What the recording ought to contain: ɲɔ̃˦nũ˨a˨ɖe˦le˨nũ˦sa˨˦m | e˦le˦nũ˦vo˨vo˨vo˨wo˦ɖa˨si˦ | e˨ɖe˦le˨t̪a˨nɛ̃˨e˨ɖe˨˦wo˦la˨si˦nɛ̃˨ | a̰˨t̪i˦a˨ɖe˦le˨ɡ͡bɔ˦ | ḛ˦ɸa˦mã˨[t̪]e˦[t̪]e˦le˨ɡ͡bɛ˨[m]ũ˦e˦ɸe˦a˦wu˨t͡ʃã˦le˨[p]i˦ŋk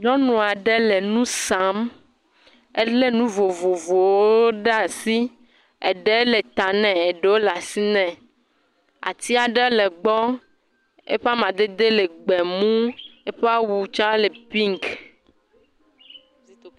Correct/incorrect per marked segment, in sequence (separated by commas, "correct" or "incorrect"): incorrect, incorrect, correct, correct